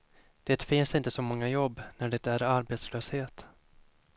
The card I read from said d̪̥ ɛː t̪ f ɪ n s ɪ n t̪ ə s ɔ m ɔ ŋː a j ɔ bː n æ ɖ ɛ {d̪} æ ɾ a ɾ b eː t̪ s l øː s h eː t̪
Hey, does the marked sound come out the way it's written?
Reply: no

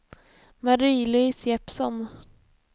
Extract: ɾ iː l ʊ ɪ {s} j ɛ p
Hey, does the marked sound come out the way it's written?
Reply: yes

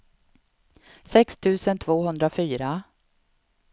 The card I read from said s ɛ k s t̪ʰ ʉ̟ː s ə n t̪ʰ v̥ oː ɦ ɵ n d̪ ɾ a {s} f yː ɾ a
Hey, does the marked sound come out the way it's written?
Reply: no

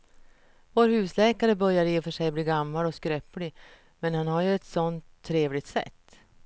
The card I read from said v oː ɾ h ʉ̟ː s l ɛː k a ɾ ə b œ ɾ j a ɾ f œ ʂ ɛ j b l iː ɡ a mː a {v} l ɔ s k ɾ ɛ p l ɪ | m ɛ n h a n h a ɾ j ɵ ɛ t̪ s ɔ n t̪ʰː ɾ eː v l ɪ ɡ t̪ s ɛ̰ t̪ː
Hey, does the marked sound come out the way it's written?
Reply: no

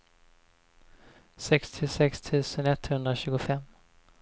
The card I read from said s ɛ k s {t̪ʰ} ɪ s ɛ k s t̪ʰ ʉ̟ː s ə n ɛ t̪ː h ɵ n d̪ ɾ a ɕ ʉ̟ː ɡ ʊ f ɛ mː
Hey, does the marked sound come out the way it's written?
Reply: yes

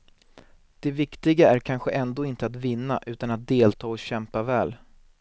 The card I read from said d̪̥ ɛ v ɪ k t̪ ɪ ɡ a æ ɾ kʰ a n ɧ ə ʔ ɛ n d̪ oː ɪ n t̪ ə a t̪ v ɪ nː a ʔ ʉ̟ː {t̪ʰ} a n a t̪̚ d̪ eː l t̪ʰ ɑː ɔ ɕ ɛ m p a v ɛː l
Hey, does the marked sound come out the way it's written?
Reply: no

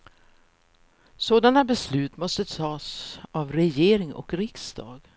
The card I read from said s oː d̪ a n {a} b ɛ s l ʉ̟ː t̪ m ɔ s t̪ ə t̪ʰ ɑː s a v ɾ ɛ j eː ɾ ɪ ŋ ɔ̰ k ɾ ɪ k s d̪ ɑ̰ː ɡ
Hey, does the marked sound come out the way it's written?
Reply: yes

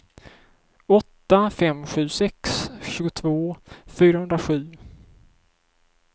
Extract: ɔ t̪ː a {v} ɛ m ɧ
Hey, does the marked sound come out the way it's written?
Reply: no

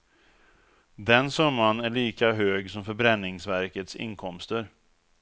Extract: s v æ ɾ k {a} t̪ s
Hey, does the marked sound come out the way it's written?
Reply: no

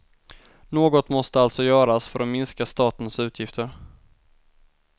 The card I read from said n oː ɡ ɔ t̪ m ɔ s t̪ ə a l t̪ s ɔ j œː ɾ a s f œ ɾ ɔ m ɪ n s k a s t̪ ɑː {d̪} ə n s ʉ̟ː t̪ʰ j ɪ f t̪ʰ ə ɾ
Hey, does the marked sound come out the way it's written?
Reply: no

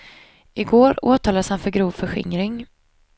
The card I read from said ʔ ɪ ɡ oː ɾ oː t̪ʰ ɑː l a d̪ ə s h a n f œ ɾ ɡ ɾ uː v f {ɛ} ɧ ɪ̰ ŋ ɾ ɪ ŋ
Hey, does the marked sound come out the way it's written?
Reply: no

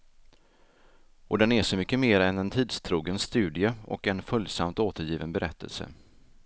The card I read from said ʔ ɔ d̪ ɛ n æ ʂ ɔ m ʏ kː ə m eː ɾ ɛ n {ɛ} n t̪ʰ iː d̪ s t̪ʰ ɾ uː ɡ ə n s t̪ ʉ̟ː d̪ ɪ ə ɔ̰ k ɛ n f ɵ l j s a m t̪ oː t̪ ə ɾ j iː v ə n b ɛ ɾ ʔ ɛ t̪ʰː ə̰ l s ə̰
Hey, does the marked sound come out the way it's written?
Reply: yes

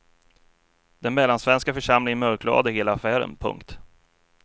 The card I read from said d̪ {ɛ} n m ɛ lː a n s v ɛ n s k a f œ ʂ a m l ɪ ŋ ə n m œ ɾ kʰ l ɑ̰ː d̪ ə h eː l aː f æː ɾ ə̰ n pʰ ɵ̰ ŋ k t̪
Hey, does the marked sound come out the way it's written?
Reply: yes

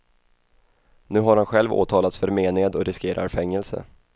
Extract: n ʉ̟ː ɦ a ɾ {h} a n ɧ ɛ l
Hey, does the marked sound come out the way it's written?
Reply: yes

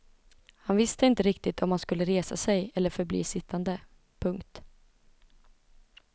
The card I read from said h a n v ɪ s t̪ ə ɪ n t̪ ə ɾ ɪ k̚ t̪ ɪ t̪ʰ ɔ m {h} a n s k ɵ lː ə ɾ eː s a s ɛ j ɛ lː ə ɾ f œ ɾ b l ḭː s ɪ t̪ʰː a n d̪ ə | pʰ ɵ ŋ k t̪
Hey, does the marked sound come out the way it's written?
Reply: yes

